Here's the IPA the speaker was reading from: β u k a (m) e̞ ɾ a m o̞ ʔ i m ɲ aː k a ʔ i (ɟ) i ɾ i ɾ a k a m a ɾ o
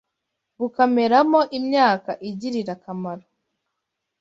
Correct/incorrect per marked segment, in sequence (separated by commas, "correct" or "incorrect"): correct, correct